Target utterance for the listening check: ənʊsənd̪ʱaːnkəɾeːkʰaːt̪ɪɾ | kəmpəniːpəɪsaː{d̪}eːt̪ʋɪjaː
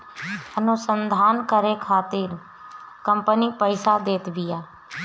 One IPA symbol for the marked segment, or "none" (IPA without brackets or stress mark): d̪